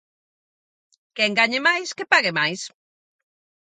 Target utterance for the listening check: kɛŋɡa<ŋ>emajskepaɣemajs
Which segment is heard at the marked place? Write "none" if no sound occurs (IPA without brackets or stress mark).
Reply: ɲ